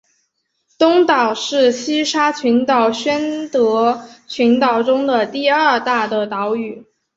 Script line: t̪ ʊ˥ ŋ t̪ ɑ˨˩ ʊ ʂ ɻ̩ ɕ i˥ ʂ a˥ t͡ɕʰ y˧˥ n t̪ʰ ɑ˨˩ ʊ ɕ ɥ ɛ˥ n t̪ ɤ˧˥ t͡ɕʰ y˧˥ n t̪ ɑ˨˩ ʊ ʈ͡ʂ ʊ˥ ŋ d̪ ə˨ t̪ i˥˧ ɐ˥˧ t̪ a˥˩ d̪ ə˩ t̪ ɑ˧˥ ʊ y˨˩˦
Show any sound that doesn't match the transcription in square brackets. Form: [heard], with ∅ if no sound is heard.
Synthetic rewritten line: t̪ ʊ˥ ŋ t̪ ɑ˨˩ ʊ ʂ ɻ̩ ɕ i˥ ʂ a˥ t͡ɕʰ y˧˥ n [t̪] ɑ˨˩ ʊ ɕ ɥ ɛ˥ n t̪ ɤ˧˥ t͡ɕʰ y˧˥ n t̪ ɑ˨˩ ʊ ʈ͡ʂ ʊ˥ ŋ d̪ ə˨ t̪ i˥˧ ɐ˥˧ t̪ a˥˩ d̪ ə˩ t̪ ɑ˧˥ ʊ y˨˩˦